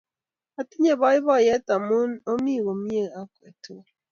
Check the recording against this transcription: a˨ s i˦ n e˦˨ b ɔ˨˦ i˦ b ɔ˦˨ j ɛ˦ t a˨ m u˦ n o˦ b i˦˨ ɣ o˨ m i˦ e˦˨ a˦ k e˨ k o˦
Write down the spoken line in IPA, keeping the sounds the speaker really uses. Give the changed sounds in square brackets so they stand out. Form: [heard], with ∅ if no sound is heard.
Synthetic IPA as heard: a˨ [t] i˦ [ɲ] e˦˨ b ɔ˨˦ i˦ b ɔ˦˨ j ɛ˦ t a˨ m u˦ n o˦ [m] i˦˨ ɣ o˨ m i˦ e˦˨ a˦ k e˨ [t] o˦